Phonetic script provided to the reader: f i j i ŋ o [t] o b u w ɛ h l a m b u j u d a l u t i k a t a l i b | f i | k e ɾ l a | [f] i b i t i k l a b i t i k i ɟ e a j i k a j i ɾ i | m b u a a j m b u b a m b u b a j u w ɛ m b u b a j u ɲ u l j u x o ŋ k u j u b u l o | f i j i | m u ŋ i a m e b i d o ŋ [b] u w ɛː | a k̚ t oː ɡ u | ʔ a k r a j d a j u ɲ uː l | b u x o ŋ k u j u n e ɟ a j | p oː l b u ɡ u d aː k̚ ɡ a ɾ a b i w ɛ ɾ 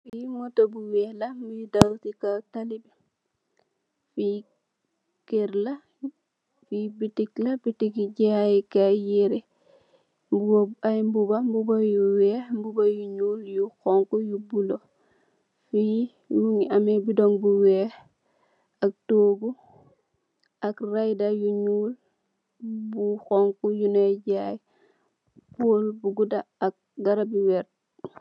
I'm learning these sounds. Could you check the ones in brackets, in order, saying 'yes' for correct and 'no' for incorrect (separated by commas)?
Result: yes, yes, yes